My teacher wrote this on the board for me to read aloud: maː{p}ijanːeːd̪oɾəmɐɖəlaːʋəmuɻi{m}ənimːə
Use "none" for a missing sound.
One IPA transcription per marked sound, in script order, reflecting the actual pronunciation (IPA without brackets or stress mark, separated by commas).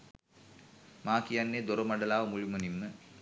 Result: k, m